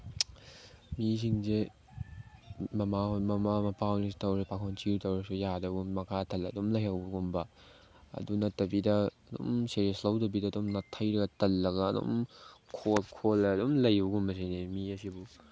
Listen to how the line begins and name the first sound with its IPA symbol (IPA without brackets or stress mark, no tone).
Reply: m